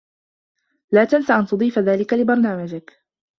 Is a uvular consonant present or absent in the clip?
absent